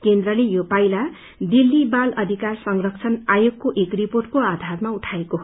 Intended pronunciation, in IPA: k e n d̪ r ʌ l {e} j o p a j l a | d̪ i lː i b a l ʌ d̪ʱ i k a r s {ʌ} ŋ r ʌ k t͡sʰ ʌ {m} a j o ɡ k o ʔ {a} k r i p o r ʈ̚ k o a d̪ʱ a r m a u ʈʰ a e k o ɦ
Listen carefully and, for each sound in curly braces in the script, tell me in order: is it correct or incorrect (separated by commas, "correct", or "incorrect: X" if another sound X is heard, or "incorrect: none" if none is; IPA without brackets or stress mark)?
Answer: correct, correct, incorrect: n, incorrect: e